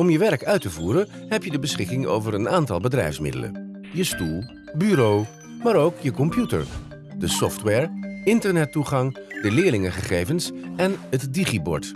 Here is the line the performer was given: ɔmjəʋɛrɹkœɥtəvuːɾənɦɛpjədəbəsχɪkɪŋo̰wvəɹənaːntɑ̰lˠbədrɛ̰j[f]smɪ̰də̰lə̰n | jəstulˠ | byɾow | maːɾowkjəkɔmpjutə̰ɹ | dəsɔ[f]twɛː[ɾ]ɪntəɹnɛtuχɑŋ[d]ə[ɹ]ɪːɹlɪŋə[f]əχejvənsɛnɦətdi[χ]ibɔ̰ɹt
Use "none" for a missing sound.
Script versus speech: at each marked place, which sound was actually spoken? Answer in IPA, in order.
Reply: f, f, ɹ, d, l, χ, χ

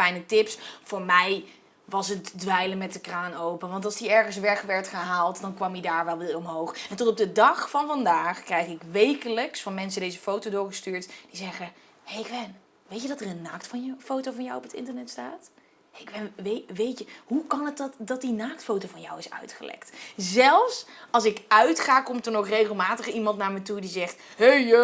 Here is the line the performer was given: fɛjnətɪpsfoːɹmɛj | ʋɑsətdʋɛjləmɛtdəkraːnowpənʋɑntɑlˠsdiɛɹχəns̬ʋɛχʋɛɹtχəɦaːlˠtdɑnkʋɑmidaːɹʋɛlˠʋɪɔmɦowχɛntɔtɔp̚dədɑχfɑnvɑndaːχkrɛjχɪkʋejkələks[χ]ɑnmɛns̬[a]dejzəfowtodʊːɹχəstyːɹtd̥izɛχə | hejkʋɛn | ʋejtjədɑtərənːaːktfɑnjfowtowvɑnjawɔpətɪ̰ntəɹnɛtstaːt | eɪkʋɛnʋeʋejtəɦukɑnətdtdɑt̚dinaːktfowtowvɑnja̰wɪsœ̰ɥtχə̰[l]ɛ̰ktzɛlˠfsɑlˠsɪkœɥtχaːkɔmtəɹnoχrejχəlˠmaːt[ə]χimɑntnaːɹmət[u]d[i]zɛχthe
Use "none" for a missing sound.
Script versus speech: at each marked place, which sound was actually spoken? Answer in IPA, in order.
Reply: f, ə, l, ə, u, i

